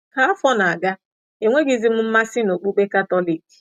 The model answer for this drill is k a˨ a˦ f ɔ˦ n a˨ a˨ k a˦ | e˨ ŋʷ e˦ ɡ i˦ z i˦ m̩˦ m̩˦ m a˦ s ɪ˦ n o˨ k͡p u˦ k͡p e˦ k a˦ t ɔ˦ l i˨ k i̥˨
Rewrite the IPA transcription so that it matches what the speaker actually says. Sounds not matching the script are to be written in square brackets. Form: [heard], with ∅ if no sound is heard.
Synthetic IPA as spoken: k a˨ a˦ f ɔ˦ n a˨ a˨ [ɡ] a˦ | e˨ ŋʷ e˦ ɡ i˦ z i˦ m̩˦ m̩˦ m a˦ s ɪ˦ n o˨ k͡p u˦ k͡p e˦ k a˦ t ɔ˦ l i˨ k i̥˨